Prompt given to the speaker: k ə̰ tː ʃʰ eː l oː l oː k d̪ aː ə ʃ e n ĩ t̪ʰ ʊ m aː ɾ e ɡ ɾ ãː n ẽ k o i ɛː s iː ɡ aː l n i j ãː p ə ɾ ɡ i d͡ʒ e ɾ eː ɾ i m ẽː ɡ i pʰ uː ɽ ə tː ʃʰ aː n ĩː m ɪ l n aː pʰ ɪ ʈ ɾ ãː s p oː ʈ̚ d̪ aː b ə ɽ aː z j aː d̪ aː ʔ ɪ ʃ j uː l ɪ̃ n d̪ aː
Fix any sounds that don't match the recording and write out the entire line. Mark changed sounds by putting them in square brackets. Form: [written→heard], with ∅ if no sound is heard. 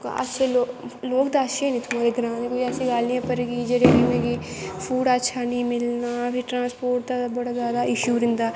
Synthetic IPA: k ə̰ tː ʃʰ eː l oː l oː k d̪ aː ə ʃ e n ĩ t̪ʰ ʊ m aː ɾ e ɡ ɾ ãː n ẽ k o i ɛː s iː ɡ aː l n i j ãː p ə ɾ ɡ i d͡ʒ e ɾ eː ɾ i m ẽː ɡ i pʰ uː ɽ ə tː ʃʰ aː n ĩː m ɪ l n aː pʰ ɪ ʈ ɾ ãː s p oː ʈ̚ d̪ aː b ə ɽ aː z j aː d̪ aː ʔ ɪ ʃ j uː [l→ɾ] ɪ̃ n d̪ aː